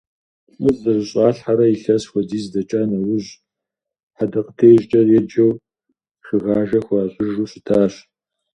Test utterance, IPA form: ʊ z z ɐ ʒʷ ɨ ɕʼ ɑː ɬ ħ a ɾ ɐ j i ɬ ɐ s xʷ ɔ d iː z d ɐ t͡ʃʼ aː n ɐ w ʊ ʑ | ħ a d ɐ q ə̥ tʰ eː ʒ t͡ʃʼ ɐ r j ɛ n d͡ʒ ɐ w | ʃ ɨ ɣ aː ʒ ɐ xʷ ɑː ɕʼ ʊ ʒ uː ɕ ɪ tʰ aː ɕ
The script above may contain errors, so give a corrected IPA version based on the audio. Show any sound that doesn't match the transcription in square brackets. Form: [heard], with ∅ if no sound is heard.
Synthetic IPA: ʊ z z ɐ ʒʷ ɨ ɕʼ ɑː ɬ ħ a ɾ ɐ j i ɬ ɐ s xʷ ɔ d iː z d ɐ t͡ʃʼ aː n ɐ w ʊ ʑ | ħ a d ɐ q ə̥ tʰ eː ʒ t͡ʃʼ ɐ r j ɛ [∅] d͡ʒ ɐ w | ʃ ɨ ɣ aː ʒ ɐ xʷ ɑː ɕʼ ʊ ʒ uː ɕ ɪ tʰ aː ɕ